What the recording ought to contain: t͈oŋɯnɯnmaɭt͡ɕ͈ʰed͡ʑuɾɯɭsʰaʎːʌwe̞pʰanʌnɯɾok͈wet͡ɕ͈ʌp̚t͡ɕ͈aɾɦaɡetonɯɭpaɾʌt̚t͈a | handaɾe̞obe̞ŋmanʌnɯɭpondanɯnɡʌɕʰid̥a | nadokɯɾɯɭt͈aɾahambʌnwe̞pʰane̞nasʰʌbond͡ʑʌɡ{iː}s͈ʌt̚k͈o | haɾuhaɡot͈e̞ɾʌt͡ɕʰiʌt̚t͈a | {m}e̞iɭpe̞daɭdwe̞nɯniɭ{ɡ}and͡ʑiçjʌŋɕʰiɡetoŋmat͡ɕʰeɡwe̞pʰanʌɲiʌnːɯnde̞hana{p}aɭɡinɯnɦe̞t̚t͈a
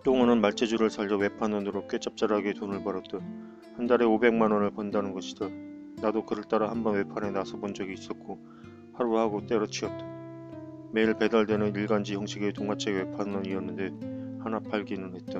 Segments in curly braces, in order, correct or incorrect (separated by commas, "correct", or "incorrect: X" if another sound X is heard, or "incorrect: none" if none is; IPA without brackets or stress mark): correct, correct, correct, correct